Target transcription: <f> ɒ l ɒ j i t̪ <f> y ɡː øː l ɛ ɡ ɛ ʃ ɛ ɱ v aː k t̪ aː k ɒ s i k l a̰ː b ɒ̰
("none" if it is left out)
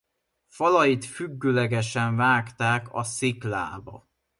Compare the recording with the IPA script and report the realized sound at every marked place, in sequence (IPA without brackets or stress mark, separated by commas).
f, f